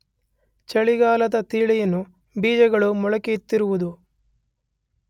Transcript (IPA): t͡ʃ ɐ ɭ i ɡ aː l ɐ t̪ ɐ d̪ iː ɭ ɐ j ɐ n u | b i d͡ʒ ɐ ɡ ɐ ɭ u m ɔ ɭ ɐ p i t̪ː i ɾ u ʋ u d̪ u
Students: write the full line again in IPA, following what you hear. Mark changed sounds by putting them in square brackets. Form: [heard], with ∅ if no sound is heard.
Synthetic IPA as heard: t͡ʃ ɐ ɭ i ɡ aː l ɐ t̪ ɐ [t̪] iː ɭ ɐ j ɐ n u | b [iː] d͡ʒ ɐ ɡ ɐ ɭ u m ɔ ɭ ɐ [k] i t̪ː i ɾ u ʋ u d̪ u